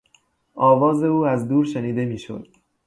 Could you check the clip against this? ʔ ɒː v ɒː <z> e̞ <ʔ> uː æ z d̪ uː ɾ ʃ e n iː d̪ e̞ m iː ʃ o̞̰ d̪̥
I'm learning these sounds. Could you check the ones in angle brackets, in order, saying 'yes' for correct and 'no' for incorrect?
yes, no

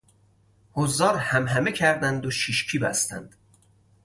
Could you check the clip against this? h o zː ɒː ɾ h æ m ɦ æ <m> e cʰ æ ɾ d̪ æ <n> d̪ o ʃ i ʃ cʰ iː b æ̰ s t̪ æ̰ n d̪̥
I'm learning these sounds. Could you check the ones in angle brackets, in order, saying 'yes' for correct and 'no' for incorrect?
yes, yes

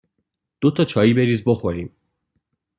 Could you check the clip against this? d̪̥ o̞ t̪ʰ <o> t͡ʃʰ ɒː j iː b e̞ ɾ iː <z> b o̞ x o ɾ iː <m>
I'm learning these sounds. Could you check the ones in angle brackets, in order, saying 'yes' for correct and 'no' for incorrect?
no, yes, yes

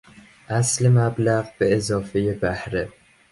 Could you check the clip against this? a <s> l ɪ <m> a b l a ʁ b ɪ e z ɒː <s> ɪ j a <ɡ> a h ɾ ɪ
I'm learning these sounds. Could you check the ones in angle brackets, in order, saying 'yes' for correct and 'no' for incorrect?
yes, yes, no, no

